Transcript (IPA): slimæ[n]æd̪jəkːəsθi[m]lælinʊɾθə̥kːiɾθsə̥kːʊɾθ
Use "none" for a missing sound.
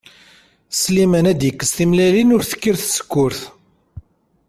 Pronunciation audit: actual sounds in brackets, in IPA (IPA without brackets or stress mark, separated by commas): n, m